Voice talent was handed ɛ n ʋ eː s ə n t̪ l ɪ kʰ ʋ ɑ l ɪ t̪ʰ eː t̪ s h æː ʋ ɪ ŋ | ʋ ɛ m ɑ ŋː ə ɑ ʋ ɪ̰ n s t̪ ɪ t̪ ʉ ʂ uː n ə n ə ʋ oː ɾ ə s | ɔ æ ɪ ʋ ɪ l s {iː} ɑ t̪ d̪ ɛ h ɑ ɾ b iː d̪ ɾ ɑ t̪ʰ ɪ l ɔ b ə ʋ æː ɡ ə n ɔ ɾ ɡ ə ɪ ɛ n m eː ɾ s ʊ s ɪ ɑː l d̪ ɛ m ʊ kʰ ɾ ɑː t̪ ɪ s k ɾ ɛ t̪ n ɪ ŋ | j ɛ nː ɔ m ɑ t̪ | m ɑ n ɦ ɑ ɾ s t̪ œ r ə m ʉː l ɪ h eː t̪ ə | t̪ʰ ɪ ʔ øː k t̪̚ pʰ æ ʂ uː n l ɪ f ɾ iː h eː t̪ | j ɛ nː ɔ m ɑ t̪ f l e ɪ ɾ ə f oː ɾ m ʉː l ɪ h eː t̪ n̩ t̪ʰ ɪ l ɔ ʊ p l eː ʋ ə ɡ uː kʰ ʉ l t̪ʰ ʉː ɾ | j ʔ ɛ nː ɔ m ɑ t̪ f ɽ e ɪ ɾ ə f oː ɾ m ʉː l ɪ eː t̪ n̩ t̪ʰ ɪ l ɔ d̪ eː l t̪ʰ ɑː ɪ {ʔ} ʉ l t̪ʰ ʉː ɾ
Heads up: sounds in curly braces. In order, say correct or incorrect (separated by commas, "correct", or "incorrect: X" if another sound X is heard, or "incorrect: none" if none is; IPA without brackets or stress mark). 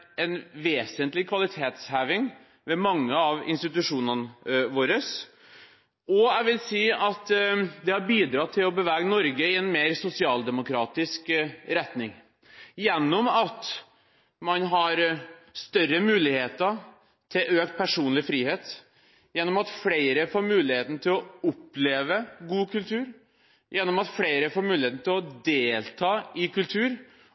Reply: correct, incorrect: k